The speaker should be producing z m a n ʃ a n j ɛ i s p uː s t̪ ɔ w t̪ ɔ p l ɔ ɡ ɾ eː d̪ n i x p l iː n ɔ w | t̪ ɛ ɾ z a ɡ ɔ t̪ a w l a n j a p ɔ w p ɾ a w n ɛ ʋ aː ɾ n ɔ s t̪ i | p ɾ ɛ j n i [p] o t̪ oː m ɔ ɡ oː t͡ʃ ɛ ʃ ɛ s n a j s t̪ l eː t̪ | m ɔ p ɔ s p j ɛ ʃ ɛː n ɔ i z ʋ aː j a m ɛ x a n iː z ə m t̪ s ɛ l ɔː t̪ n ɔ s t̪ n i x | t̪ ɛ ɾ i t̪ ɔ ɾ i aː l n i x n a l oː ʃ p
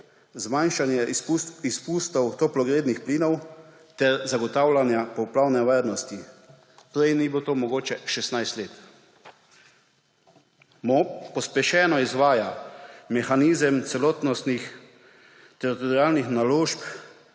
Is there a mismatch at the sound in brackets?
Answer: yes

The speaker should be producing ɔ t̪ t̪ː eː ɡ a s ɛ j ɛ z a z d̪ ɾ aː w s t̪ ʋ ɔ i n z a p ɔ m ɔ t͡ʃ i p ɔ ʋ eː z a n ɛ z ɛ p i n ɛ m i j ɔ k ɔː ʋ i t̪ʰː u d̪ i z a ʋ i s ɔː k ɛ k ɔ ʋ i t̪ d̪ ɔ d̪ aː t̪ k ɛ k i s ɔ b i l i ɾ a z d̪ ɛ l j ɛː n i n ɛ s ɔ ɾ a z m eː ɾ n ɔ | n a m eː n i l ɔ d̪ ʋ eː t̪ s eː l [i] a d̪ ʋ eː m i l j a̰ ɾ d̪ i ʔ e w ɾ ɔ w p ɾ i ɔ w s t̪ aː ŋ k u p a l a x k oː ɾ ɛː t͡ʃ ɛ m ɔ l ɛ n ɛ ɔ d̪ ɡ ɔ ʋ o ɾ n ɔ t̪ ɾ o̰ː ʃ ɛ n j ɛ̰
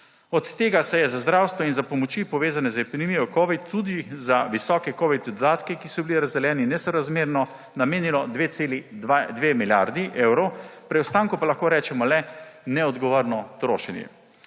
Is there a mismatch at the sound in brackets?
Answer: no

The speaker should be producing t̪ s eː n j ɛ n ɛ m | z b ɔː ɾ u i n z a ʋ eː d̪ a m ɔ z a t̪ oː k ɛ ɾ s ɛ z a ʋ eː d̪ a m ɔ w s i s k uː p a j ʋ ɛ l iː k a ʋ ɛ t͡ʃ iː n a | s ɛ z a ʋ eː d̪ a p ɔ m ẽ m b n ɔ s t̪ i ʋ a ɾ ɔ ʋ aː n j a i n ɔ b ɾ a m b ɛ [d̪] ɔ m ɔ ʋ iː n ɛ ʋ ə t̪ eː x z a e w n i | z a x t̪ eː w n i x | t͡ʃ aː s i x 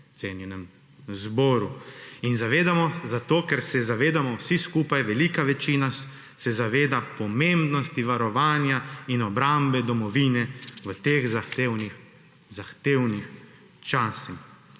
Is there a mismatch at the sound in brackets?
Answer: no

